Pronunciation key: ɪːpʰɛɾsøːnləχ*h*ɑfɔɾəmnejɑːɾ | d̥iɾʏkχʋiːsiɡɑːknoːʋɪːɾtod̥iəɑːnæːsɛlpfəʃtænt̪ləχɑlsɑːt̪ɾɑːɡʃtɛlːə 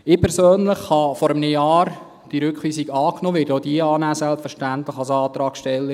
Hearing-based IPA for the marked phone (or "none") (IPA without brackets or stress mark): h